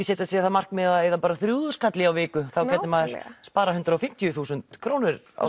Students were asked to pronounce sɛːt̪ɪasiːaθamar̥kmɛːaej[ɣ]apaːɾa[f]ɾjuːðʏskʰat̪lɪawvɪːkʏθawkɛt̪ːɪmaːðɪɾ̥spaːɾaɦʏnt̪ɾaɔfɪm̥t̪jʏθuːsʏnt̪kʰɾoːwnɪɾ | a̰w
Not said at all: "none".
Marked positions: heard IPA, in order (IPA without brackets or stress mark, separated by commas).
ð, θ